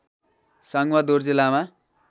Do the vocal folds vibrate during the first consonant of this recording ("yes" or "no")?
no